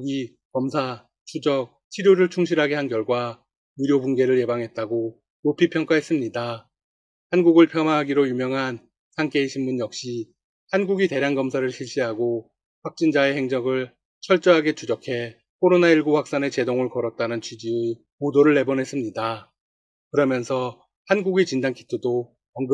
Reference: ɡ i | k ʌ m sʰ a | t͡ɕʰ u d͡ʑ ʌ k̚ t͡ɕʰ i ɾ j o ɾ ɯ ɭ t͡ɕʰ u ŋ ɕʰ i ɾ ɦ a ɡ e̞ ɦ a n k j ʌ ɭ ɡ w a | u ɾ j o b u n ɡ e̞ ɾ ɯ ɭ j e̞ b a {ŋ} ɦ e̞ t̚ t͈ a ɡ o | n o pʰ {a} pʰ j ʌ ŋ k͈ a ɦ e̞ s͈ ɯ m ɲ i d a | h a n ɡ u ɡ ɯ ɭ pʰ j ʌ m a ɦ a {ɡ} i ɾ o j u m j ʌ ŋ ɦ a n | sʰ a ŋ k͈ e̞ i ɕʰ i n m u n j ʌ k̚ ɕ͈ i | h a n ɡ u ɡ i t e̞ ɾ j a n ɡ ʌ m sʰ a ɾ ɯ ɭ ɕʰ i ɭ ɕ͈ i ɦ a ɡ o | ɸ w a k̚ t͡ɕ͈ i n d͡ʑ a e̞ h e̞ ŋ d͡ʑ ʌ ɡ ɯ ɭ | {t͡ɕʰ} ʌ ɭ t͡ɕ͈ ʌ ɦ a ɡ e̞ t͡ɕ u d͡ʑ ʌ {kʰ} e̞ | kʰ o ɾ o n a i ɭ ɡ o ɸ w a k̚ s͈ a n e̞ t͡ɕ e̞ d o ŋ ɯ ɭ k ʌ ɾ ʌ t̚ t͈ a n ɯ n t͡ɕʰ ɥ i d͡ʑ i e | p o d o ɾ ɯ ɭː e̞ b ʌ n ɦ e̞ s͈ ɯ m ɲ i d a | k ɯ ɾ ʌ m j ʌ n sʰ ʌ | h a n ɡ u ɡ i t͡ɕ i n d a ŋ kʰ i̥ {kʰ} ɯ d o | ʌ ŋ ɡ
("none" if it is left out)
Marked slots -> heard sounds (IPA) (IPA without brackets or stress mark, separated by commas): ŋ, i, ɡ, t͡ɕʰ, kʰ, tʰ